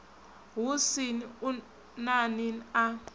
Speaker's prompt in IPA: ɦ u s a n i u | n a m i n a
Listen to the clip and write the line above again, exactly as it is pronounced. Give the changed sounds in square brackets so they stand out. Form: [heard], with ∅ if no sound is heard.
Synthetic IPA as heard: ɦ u s [i] n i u | n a [n] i n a